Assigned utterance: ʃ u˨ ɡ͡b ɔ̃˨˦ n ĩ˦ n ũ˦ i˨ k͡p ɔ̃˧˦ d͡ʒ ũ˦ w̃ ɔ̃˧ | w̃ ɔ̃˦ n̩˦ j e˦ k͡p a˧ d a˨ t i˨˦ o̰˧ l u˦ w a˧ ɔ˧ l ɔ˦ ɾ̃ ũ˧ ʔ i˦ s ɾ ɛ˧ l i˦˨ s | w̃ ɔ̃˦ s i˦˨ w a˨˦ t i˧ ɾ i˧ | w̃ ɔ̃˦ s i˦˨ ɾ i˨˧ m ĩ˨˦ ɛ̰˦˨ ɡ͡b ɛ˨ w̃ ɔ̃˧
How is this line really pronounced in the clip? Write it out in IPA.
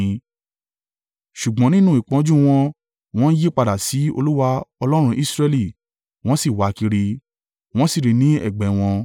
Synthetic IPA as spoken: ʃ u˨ ɡ͡b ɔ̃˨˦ n ĩ˦ n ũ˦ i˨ k͡p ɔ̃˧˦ d͡ʒ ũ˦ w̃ ɔ̃˧ | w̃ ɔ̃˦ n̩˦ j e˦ k͡p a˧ d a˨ s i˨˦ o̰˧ l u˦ w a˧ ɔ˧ l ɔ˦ ɾ̃ ũ˧ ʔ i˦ s ɾ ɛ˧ l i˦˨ | w̃ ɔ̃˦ s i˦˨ w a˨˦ k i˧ ɾ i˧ | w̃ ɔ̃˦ s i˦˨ ɾ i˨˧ n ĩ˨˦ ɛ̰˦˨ ɡ͡b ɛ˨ w̃ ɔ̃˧